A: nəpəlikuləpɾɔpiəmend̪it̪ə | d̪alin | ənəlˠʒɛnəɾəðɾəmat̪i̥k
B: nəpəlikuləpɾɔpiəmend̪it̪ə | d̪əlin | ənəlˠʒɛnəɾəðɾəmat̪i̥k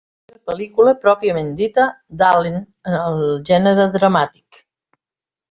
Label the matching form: A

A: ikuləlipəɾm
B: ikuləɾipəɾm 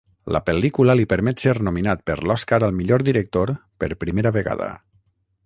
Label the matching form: A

